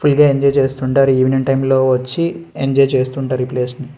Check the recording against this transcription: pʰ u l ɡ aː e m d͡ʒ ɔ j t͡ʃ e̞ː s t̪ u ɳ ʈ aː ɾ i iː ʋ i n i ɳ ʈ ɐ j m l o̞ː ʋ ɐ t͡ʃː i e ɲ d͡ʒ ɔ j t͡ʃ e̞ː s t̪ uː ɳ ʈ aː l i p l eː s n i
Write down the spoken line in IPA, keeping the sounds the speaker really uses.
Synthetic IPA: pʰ u l ɡ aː e ɲ d͡ʒ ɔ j t͡ʃ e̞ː s t̪ u ɳ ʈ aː ɾ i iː ʋ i n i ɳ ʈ ɐ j m l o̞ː ʋ ɐ t͡ʃː i e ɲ d͡ʒ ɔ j t͡ʃ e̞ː s t̪ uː ɳ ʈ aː ɾ i p l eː s n i

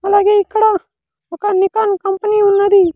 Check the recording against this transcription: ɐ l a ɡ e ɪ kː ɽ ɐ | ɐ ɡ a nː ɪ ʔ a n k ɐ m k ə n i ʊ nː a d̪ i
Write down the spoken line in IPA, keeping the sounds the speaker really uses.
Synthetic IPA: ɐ l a ɡ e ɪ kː ɽ a | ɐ k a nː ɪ k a n k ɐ m p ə n i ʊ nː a d̪ i

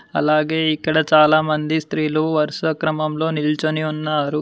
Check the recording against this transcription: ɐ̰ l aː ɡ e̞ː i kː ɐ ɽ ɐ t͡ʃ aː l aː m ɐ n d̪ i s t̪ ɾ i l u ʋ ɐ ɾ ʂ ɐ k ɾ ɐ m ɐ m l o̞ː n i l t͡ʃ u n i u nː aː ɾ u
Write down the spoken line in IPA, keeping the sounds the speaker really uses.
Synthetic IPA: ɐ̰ l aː ɡ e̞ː i kː ɐ ɽ ɐ t͡ʃ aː l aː m ɐ n d̪ i s t̪ ɾ iː l u ʋ ɐ ɾ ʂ ɐ k ɾ ɐ m ɐ m l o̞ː n i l t͡ʃ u n i u nː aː ɾ u

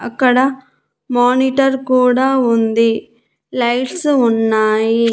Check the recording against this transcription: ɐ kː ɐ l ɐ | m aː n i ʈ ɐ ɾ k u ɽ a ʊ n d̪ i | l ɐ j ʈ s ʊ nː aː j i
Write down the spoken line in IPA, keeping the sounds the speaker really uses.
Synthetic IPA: ɐ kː ɐ ɽ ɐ | m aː n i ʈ ɐ ɾ k uː ɽ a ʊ n d̪ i | l ɐ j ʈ s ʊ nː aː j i

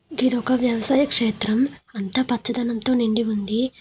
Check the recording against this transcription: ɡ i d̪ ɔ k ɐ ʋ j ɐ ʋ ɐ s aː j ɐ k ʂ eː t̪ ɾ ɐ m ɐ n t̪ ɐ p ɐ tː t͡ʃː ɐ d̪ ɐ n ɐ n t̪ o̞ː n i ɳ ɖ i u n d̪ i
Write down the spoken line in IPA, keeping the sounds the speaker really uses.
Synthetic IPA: ɡ i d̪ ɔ k ɐ ʋ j ɐ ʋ ɐ s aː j ɐ k ʂ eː t̪ ɾ ɐ m ɐ n t̪ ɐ p ɐ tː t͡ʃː ɐ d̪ ɐ n ɐ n t̪ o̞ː n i ɳ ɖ i u n d̪ i

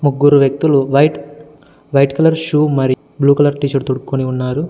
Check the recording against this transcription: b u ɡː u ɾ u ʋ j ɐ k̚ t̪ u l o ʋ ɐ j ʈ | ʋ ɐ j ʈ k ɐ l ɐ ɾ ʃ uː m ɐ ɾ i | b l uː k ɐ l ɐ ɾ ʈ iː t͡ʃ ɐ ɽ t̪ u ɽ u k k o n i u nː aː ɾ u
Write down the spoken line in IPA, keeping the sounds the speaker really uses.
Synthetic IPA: m u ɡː u ɾ u ʋ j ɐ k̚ t̪ u l u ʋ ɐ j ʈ | ʋ ɐ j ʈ k ɐ l ɐ ɾ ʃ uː m ɐ ɾ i | b l uː k ɐ l ɐ ɾ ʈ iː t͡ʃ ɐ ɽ t̪ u ɽ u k k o n i u nː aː ɾ u

